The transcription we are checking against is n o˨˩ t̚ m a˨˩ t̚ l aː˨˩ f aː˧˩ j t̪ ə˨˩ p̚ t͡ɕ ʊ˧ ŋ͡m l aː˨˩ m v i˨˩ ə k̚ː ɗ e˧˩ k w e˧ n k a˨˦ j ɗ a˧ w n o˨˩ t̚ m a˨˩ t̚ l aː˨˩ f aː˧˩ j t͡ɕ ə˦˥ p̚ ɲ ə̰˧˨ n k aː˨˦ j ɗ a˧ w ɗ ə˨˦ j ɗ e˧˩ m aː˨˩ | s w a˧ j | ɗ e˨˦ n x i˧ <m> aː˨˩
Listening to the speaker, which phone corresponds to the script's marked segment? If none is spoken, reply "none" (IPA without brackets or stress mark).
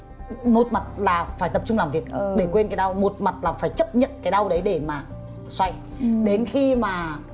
m